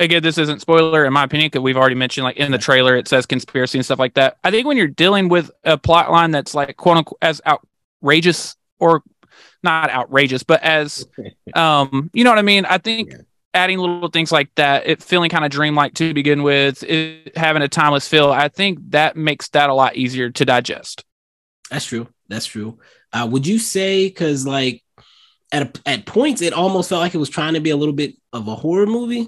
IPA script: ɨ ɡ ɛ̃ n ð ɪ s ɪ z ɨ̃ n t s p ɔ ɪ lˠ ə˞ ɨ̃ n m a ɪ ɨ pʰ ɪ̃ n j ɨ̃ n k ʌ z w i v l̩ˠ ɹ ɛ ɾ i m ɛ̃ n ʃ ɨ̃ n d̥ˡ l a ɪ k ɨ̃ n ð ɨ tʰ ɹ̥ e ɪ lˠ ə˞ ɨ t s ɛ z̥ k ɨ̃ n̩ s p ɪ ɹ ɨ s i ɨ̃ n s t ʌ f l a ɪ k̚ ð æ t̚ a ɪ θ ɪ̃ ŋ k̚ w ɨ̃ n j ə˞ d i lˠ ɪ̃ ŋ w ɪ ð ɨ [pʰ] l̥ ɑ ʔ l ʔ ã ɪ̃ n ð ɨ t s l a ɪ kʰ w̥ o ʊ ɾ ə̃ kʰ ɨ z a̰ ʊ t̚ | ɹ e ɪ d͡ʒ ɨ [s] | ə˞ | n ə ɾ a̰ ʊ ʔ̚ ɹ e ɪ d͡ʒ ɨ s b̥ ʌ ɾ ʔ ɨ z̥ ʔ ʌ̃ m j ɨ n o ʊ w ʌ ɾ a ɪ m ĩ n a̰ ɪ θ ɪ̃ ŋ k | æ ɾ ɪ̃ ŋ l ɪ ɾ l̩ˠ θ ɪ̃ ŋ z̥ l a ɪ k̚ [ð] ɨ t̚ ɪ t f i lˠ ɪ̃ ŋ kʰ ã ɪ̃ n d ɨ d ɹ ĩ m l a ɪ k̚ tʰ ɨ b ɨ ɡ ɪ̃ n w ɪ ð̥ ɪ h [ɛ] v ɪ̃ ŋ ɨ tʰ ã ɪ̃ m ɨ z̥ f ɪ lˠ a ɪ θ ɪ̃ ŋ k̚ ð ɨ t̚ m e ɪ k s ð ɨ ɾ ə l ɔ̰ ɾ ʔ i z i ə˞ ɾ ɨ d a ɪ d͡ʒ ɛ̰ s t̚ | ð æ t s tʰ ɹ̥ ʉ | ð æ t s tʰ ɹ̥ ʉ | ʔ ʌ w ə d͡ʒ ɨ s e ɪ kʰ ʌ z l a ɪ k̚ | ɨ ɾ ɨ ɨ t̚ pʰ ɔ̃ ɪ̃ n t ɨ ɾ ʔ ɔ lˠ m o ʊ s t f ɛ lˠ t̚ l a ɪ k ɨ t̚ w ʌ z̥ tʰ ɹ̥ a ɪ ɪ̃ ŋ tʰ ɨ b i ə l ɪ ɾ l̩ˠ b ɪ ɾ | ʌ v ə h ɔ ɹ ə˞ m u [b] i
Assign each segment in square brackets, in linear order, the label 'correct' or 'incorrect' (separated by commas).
correct, correct, correct, incorrect, incorrect